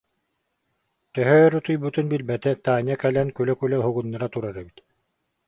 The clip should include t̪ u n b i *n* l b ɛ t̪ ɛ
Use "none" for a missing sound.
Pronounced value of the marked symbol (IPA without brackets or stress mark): none